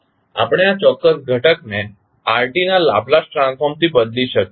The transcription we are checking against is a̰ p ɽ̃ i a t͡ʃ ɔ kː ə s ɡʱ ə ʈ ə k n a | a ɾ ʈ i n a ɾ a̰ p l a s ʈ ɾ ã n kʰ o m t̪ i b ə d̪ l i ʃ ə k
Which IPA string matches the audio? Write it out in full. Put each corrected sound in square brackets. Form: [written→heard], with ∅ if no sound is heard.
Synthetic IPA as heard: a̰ p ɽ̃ [i→e] a t͡ʃ ɔ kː ə s ɡʱ ə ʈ ə k n [a→e] | a ɾ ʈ i n a [ɾ→l] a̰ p l a s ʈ ɾ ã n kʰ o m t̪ i b ə d̪ l i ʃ ə k

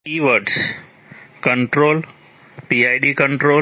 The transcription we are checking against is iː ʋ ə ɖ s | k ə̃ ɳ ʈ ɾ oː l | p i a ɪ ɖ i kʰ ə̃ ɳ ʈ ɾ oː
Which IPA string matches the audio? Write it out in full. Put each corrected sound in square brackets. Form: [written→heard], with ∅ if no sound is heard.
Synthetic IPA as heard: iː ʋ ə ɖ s | k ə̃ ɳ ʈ ɾ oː l | p i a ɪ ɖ i [kʰ→k] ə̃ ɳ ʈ ɾ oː

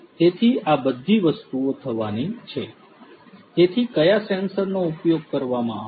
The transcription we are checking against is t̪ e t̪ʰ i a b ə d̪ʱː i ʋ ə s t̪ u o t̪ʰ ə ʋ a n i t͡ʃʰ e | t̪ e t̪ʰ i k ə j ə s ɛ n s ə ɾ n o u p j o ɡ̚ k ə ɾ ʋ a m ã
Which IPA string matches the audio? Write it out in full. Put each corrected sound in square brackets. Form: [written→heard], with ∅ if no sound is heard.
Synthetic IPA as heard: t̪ e t̪ʰ i a b ə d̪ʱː i ʋ ə s t̪ u o t̪ʰ ə ʋ a n i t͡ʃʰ e | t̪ e t̪ʰ i k ə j [ə→a] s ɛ n s ə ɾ n o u p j o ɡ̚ k ə ɾ ʋ a m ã

